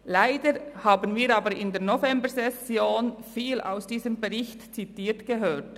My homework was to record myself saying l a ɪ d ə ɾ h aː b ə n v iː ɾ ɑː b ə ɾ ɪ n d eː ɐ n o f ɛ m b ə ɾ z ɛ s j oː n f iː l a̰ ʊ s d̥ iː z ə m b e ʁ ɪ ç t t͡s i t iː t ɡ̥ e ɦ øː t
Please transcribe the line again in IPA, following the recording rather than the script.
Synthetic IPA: l a ɪ d ə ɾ h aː b ə n v iː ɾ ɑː b ə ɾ ɪ n d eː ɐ n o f ɛ m b ə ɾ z ɛ s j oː n f iː l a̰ ʊ s d̥ iː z ə m b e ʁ ɪ ç t t͡s i t iː t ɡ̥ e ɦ øː t